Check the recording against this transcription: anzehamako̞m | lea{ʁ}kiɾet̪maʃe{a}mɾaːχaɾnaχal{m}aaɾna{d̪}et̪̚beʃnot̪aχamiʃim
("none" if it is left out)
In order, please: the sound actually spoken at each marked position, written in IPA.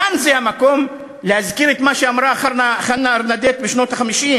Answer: z, a, n, d̪

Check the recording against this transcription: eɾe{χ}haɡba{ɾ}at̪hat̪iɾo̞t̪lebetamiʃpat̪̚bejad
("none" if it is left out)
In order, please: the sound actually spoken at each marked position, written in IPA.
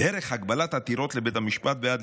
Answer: χ, l

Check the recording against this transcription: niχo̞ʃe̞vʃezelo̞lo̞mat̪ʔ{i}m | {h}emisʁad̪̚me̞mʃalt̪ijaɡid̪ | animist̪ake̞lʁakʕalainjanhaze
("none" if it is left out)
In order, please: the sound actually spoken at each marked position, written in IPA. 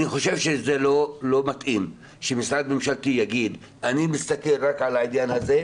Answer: i, ʃ

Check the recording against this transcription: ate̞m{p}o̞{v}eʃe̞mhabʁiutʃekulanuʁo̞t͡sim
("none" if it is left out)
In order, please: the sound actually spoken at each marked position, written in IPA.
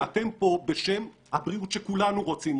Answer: p, b

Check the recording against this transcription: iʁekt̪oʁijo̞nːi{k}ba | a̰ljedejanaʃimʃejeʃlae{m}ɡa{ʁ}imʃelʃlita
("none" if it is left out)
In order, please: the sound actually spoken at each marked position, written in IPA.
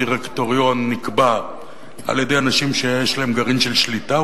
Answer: k, m, ʁ

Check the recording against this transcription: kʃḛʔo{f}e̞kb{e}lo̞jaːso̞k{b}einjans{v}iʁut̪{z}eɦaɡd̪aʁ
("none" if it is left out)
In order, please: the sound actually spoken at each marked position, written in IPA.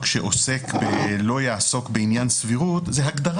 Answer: s, e, b, v, z

